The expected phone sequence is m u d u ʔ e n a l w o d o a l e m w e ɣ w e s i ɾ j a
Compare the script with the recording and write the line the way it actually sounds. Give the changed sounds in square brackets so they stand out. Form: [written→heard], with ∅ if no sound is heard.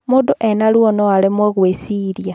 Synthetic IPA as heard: m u d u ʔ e n a l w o [d→n] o a l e m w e ɣ w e s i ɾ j a

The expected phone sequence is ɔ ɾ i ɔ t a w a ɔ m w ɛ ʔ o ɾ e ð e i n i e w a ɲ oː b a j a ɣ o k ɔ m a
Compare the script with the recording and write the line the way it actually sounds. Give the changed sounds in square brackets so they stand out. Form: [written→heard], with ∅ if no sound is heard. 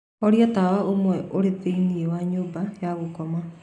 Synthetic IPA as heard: ɔ ɾ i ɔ t a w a [ɔ→o] m w ɛ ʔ o ɾ e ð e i n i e w a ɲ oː b a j a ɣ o k ɔ m a

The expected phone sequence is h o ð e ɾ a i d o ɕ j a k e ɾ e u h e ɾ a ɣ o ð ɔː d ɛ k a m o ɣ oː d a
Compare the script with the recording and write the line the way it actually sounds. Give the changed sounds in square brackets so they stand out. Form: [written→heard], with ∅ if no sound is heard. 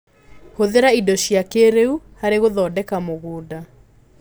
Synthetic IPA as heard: h o ð e ɾ a i d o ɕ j a k e ɾ e u h [e→a] ɾ [a→e] ɣ o ð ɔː d ɛ k a m o ɣ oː d a

